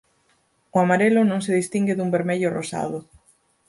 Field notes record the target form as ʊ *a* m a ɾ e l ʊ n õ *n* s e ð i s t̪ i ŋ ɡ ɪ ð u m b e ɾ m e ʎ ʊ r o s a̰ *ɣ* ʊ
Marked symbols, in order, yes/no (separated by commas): yes, no, no